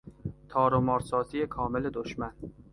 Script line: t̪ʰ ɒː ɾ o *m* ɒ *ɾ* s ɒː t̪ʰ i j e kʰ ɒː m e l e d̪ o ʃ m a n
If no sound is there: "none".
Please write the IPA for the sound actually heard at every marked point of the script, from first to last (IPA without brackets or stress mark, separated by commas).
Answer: m, ɾ